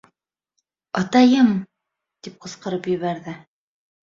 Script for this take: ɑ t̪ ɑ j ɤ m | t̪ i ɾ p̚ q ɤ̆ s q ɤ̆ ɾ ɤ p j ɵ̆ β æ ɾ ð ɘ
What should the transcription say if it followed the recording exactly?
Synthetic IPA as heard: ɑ t̪ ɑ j ɤ m | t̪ i p̚ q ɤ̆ s q ɤ̆ ɾ ɤ p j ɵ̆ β æ ɾ ð ɘ